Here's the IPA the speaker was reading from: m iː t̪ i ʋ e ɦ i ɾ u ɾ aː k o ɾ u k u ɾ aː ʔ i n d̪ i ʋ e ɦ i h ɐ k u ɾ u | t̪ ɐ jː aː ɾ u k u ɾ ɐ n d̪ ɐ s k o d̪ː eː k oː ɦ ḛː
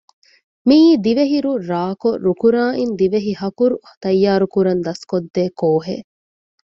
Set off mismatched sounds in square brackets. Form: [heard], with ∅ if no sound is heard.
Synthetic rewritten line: m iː [d̪] i ʋ e ɦ i ɾ u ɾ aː k o ɾ u k u ɾ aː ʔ i n d̪ i ʋ e ɦ i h ɐ k u ɾ u | t̪ ɐ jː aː ɾ u k u ɾ ɐ n d̪ ɐ s k o d̪ː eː k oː ɦ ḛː